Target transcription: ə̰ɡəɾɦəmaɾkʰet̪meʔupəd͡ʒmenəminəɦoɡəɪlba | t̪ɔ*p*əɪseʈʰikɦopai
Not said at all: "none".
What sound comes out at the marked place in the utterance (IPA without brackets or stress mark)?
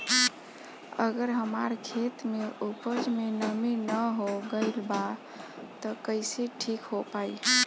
k